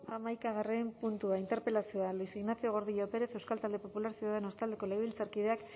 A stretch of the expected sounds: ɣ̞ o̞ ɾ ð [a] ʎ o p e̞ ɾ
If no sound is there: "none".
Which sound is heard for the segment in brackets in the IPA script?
i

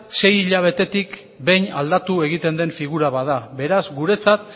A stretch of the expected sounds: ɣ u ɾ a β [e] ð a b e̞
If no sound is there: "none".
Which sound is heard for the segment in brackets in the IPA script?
a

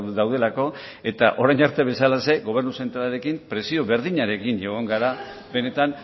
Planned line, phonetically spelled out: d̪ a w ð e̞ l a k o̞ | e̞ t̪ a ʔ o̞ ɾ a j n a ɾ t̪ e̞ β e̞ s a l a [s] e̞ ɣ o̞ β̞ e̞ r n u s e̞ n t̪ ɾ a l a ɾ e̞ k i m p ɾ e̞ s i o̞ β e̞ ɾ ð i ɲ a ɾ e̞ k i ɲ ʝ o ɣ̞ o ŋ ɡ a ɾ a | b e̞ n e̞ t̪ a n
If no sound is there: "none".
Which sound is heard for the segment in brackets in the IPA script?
s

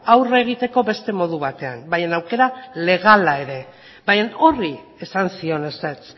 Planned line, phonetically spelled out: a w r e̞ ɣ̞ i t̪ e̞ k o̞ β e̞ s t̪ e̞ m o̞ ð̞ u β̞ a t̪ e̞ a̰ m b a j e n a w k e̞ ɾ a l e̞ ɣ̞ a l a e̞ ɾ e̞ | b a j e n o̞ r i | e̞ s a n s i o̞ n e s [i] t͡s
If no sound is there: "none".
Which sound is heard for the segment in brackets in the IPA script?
e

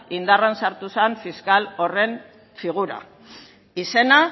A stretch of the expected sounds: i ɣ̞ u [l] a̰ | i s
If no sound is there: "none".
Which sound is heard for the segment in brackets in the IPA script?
ɾ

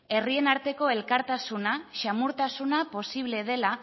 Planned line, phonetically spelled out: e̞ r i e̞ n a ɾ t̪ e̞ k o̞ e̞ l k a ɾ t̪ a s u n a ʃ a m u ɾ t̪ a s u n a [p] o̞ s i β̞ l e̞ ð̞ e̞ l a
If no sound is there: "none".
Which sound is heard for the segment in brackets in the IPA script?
p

